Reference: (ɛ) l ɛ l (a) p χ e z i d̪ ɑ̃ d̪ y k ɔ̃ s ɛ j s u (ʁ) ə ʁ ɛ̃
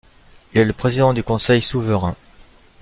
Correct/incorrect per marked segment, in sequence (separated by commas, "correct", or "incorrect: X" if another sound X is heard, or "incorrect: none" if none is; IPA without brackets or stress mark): incorrect: i, incorrect: ə, incorrect: v